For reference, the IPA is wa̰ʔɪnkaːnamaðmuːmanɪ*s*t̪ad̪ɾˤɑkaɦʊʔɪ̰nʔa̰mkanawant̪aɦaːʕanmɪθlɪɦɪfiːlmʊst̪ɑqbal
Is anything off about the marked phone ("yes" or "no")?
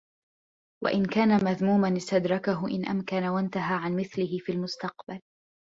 no